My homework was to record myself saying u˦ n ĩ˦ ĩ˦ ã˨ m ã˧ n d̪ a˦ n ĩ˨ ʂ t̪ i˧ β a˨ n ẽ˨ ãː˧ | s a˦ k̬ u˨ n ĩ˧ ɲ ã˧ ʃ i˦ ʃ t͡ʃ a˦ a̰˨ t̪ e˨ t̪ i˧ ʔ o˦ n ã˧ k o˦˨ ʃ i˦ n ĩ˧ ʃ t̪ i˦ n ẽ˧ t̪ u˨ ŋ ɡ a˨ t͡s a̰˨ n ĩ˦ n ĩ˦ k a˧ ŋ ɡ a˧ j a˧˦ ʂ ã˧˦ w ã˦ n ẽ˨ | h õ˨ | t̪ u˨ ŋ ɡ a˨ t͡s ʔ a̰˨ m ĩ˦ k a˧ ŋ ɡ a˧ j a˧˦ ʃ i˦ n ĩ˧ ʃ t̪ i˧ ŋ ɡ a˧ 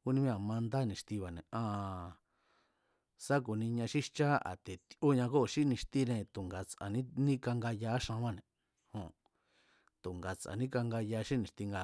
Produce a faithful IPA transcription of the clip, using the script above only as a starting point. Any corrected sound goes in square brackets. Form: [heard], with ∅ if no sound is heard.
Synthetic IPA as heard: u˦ n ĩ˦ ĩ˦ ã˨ m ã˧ n d̪ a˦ n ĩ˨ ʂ t̪ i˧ β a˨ n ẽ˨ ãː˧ | s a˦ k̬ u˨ n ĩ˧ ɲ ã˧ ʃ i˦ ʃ t͡ʃ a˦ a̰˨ t̪ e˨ t̪ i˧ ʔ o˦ [ɲ] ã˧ k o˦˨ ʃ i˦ n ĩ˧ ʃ t̪ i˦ n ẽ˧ t̪ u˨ ŋ ɡ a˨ t͡s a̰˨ n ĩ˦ n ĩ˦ k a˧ ŋ ɡ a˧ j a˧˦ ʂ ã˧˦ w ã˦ n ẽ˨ | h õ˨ | t̪ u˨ ŋ ɡ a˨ t͡s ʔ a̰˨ [n] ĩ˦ k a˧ ŋ ɡ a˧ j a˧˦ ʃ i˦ n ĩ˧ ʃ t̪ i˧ ŋ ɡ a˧